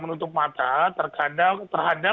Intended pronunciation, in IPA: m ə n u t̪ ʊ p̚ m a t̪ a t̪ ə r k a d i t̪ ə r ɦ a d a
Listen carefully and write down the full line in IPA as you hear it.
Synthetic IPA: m ə n u t̪ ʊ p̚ m a t̪ a t̪ ə r k a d a t̪ ə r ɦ a d a